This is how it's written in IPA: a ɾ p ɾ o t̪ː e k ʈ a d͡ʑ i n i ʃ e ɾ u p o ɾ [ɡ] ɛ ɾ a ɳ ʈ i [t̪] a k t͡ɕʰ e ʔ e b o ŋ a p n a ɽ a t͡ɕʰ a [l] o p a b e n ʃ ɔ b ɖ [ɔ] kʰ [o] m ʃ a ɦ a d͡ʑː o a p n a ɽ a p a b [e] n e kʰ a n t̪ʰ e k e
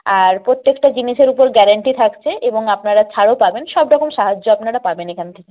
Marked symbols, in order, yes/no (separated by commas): yes, no, no, yes, yes, yes